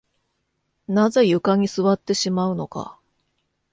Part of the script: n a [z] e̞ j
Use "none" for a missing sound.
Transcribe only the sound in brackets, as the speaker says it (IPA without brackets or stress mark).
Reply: z